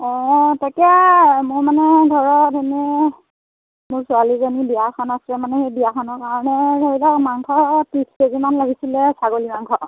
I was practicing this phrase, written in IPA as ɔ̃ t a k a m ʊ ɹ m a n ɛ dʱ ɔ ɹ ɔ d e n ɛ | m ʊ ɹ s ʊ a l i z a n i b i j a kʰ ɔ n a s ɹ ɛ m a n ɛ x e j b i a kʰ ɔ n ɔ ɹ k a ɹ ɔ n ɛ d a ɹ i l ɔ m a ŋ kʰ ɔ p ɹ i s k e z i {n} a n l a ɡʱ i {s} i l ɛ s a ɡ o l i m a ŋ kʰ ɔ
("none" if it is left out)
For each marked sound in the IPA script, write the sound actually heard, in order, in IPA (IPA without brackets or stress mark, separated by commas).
m, s